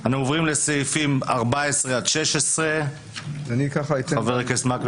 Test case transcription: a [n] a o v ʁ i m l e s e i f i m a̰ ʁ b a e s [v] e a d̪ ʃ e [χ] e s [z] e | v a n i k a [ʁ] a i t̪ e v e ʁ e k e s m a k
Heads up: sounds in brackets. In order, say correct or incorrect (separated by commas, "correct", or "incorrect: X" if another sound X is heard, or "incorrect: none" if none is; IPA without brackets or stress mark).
correct, incorrect: ʁ, incorrect: ʃ, incorrect: ʁ, incorrect: χ